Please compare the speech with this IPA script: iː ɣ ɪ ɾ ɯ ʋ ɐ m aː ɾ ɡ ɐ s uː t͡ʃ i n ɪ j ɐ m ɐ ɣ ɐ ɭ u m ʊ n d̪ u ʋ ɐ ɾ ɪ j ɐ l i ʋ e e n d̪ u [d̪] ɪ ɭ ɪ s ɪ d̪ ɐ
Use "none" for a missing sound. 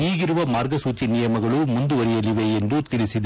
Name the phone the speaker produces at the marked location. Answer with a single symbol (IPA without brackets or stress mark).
t̪